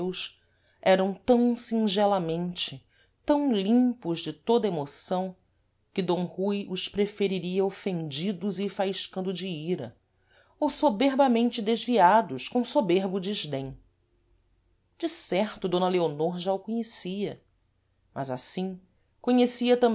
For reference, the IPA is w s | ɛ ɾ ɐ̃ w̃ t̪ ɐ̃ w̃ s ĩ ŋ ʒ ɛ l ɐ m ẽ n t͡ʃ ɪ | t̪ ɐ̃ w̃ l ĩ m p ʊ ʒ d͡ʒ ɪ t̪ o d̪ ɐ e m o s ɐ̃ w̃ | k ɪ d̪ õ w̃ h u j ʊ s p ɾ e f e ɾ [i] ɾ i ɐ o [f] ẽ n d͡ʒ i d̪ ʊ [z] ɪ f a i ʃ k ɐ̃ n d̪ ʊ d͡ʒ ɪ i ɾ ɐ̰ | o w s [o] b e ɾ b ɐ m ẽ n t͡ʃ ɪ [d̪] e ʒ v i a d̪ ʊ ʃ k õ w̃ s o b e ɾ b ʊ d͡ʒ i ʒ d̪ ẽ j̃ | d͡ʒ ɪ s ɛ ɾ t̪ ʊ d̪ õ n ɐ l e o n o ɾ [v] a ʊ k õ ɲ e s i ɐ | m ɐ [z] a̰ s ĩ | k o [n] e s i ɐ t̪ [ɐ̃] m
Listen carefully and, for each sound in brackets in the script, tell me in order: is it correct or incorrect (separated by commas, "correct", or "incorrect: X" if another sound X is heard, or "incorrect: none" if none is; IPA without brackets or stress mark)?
correct, correct, correct, correct, correct, incorrect: ʒ, correct, incorrect: ɲ, correct